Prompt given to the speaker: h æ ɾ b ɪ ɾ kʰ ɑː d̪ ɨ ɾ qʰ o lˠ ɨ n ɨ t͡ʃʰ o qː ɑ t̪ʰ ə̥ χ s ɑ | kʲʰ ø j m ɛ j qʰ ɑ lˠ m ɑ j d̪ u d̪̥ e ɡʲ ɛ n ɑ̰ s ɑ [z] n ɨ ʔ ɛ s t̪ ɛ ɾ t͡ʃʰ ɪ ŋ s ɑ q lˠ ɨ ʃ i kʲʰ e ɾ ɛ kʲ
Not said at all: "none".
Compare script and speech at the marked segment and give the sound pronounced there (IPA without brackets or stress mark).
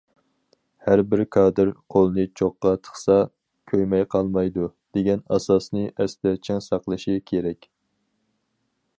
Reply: s